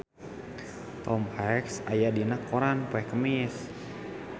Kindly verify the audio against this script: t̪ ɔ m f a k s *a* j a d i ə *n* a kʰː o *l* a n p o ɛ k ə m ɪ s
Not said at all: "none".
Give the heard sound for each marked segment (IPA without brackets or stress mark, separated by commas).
a, n, ɾ